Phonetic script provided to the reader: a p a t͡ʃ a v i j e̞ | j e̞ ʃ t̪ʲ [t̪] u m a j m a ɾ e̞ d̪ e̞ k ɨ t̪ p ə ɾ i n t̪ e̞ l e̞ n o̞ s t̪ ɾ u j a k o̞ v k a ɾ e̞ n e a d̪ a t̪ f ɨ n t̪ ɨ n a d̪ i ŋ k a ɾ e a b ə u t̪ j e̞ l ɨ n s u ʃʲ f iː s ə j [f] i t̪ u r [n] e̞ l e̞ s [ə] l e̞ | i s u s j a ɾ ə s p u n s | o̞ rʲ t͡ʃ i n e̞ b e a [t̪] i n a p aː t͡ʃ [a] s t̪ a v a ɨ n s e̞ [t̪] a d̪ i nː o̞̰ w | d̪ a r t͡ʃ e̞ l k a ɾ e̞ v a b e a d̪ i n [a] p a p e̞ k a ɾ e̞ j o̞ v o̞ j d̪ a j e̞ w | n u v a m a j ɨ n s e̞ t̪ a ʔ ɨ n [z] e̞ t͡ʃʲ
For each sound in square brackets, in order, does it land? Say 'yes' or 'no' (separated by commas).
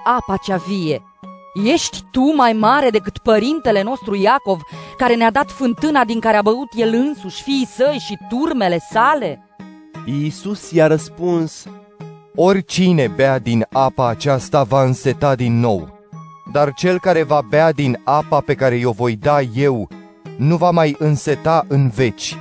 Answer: yes, no, no, no, no, yes, yes, yes, no